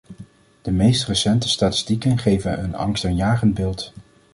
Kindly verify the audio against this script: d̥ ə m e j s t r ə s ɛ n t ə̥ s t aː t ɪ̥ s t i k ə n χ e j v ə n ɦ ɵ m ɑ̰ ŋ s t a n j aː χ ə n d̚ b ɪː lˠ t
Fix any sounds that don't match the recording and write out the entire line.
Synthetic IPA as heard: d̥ ə m e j s t r ə s ɛ n t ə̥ s t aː t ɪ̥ s t i k ə n χ e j v ə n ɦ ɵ n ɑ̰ ŋ s t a n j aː χ ə n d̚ b ɪː lˠ t